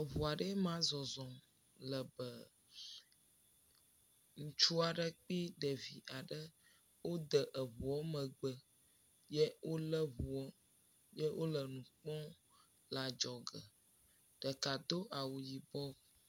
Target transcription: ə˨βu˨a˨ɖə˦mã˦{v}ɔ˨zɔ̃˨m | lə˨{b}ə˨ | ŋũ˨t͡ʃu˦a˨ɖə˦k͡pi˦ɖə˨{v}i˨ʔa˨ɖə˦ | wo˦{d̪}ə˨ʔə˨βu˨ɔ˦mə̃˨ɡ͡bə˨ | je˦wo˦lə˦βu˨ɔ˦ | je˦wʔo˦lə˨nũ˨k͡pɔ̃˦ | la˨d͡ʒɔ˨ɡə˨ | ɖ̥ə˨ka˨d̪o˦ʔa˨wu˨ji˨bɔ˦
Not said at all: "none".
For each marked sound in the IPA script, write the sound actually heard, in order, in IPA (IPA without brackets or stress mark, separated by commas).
z, b, v, d̪